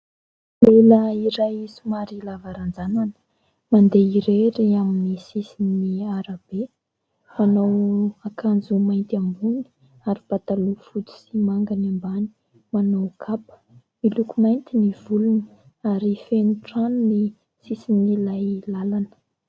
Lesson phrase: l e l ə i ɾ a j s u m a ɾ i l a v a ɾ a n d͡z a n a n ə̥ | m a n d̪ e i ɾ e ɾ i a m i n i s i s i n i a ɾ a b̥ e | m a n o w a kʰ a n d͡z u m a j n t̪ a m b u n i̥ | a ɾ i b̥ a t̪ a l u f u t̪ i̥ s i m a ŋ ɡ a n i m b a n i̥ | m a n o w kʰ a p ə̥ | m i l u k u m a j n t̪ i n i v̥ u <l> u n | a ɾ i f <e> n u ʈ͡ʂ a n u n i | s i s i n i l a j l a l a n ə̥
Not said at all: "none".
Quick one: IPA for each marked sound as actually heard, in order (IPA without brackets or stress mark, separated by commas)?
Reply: l, e